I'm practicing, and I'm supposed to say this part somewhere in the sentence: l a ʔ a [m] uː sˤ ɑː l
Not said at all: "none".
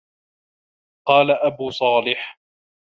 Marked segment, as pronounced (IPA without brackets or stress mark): b